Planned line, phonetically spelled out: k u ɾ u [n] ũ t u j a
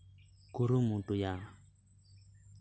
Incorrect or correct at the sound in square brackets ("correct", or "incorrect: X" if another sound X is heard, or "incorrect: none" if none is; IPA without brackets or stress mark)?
incorrect: m